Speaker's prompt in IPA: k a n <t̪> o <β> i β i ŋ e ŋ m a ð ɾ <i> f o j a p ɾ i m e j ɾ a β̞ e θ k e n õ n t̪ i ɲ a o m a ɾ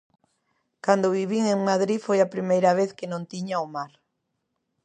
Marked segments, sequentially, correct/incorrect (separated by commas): incorrect, correct, correct